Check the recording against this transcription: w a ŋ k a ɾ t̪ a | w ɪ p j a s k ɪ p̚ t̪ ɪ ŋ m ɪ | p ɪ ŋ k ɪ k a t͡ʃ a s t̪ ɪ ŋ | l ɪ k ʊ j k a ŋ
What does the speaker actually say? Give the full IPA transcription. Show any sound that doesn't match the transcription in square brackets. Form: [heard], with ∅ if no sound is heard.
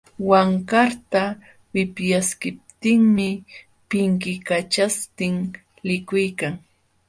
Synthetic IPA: w a ŋ k a ɾ t̪ a | w ɪ p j a s k ɪ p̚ t̪ ɪ ŋ m ɪ | p ɪ ŋ k ɪ k a t͡ʃ a s t̪ ɪ ŋ | l ɪ k ʊ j k a ŋ